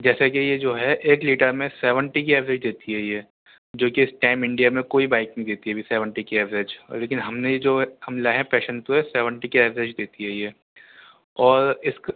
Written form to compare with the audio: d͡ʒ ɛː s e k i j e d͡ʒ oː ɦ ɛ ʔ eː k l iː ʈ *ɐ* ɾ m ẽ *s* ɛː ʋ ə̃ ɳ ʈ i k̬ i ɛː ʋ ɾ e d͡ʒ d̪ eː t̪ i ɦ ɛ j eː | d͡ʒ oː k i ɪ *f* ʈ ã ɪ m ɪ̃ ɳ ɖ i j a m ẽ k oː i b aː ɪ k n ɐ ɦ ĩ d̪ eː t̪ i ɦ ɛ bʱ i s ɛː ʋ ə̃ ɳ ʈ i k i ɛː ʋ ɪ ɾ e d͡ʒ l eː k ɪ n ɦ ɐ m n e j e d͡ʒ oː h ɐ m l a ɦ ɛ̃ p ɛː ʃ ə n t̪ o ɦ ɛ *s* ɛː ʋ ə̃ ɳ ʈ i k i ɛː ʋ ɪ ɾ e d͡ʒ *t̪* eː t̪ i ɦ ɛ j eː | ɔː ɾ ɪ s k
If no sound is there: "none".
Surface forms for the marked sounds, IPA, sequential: ə, s, s, s, d̪

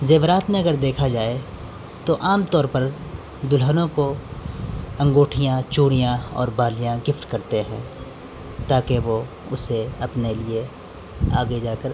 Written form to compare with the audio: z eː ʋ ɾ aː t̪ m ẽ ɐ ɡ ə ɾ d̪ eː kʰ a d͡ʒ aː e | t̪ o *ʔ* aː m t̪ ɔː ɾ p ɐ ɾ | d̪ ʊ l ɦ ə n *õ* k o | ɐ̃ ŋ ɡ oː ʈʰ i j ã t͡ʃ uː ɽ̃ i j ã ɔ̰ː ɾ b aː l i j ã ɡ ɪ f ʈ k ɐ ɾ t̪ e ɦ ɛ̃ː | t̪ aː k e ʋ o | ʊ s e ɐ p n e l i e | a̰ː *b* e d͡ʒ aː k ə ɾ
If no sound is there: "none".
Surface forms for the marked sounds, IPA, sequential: ʔ, õ, ɡ

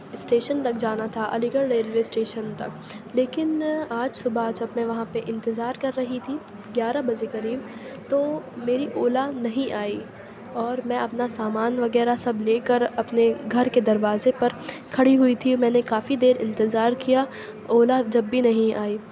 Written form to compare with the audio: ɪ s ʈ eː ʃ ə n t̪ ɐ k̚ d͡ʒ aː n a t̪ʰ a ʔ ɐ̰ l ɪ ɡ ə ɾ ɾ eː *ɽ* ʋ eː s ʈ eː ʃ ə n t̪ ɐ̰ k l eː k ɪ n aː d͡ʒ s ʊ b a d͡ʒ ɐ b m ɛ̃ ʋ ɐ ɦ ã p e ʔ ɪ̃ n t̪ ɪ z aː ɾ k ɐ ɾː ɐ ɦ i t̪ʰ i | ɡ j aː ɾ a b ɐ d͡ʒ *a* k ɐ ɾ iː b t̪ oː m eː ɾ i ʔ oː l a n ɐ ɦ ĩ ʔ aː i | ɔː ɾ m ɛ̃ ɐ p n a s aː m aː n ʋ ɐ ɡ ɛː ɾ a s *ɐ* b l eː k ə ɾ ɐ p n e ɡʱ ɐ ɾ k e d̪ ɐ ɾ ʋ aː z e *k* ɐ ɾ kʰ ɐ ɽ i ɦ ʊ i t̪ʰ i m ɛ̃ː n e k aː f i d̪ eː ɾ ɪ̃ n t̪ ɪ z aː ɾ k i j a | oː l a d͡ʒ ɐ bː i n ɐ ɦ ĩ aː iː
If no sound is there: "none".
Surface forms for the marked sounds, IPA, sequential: l, e, ɐ, p

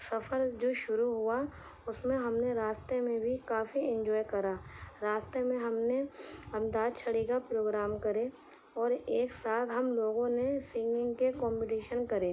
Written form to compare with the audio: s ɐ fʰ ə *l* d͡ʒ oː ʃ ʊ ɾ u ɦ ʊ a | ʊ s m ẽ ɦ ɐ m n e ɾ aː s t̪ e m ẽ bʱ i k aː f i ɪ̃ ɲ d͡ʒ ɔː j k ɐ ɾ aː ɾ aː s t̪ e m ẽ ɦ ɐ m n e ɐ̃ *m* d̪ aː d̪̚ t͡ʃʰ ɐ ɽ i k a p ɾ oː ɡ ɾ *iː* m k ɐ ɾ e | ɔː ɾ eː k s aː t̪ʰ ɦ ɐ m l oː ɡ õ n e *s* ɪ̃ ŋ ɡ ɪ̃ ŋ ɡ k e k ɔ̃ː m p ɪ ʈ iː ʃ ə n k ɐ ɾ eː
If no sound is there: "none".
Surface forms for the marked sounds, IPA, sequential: ɾ, m, aː, s

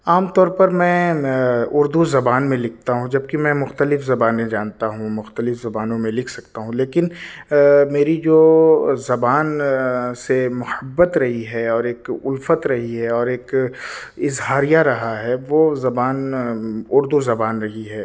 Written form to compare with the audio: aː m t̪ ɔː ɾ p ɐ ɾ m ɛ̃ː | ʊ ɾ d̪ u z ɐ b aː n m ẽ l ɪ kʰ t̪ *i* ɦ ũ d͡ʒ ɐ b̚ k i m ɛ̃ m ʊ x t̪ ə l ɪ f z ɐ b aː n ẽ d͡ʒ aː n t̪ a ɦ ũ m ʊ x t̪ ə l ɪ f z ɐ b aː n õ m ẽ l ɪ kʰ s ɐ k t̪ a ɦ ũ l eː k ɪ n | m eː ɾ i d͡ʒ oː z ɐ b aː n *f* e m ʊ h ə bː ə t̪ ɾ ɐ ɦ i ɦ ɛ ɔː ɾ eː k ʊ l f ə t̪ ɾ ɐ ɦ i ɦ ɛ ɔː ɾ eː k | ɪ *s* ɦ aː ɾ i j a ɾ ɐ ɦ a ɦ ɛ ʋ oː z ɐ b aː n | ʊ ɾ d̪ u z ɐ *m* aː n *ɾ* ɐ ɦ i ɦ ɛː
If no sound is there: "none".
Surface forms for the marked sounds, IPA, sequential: a, s, z, b, ɾ

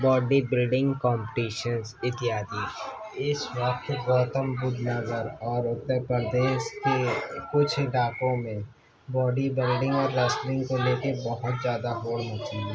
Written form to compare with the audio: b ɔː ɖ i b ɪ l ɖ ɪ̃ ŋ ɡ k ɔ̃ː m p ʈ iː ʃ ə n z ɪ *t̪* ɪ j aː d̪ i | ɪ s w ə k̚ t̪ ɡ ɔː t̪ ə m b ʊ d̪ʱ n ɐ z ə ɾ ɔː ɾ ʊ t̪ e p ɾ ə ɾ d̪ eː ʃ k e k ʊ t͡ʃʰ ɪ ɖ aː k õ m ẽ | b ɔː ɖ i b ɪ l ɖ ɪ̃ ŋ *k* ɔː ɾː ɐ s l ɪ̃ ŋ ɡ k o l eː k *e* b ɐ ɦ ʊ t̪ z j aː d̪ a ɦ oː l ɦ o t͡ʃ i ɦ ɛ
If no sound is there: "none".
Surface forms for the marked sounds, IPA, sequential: t̪, ɡ, e

